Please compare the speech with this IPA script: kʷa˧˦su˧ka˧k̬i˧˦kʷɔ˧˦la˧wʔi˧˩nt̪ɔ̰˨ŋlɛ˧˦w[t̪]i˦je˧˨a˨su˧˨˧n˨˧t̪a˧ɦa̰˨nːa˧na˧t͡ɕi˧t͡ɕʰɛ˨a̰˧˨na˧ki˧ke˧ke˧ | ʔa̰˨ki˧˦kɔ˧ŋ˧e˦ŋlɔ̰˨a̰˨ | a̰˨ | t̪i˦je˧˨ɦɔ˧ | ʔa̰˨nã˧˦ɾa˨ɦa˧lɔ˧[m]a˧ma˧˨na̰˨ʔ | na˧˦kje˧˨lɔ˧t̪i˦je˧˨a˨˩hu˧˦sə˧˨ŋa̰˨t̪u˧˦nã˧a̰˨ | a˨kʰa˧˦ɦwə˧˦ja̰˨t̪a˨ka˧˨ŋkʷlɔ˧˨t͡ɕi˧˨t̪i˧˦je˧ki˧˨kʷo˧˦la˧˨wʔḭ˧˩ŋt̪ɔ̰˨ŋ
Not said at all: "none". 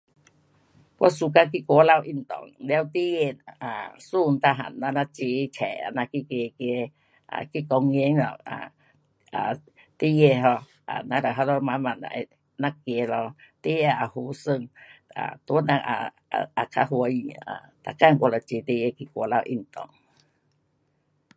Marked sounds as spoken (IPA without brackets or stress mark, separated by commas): t̪, m